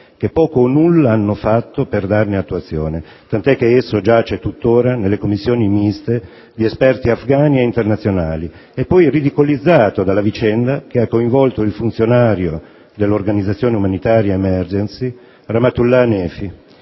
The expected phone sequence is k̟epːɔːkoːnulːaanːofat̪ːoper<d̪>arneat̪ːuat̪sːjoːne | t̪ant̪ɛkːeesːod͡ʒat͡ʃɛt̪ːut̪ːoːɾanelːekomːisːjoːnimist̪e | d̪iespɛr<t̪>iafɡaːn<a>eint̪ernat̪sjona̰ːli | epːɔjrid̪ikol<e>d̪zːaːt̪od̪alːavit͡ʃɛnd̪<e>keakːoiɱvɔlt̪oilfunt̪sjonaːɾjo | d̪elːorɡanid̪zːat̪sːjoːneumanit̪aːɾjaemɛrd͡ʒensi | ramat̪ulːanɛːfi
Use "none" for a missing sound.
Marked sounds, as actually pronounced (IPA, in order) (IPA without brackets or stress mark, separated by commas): d̪, t̪, i, i, a